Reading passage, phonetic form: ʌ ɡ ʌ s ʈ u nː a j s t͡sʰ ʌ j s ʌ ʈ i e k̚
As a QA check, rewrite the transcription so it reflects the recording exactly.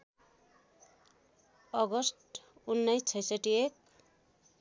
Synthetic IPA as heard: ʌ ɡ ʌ s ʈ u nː ʌ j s t͡sʰ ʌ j s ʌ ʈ i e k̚